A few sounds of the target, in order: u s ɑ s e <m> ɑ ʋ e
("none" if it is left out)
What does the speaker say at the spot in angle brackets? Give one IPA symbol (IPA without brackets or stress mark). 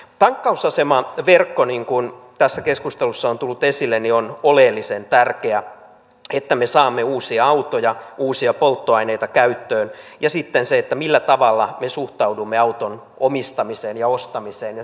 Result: m